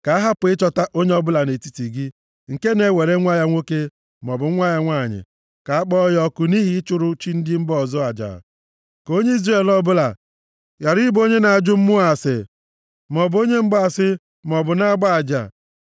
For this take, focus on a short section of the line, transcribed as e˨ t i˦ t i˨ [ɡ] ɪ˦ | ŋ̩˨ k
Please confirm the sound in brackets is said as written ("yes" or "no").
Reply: yes